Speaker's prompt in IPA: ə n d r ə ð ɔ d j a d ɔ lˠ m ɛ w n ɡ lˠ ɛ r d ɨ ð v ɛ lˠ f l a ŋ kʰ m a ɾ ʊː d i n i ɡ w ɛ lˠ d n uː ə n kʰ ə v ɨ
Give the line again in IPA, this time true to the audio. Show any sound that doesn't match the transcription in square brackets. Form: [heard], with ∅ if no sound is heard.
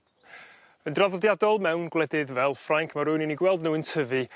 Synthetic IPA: ə n d r [a] ð ɔ d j a d ɔ lˠ m ɛ w n ɡ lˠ ɛ [∅] d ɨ ð v ɛ lˠ f [r] a ŋ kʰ m a ɾ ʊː [n] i n i ɡ w ɛ lˠ d n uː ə n [tʰ] ə v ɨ